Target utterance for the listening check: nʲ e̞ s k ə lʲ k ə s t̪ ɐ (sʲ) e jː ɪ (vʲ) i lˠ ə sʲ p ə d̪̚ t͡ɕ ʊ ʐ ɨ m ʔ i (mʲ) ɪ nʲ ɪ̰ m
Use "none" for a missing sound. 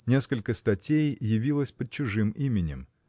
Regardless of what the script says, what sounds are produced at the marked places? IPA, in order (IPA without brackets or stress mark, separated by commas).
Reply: tʲ, vʲ, mʲ